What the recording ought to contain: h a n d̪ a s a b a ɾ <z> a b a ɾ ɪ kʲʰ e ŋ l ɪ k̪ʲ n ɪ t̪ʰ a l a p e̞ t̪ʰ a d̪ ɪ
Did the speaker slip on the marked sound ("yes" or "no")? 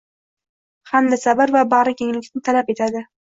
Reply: yes